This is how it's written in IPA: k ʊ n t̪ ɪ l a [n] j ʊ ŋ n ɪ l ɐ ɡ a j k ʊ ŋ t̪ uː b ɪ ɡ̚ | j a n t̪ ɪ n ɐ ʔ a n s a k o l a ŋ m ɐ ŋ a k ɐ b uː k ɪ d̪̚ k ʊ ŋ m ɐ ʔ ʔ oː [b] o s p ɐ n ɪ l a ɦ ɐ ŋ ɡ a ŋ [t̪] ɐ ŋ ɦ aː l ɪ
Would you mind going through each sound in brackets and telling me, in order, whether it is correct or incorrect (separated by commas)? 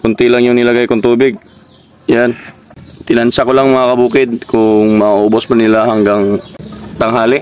incorrect, correct, correct